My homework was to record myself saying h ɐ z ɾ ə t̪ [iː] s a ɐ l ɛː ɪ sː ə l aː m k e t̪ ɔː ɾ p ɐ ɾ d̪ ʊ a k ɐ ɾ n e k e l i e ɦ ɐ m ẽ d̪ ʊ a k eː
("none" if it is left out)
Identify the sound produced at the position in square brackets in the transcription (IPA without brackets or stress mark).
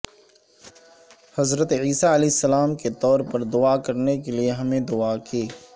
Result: iː